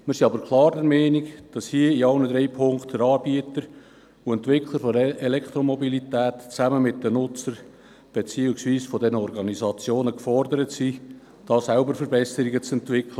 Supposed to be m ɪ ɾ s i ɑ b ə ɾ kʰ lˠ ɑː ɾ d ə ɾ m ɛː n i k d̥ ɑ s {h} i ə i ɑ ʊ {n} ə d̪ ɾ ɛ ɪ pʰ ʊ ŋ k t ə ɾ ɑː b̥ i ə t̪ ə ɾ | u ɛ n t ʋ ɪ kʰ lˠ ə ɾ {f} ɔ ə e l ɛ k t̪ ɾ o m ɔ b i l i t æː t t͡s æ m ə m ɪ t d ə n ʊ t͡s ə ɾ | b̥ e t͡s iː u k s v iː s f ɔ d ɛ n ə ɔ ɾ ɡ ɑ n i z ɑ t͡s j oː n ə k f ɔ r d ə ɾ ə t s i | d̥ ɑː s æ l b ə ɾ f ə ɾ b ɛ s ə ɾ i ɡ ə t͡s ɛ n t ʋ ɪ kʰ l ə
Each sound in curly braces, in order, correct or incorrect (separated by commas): correct, correct, correct